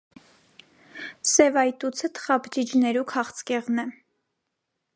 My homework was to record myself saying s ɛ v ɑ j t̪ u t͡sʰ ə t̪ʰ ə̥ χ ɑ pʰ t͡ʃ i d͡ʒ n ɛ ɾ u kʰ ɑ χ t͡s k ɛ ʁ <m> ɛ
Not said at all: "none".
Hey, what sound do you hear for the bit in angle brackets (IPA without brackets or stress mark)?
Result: n